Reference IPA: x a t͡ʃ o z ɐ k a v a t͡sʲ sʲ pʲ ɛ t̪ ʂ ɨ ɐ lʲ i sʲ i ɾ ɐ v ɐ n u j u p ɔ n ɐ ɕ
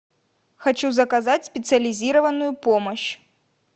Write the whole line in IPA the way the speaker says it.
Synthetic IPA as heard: x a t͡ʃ u z ɐ k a z a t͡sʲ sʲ pʲ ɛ t̪ s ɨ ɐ lʲ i zʲ i ɾ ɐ v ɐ n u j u p ɔ m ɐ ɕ